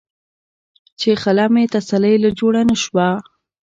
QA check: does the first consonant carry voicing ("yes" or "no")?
no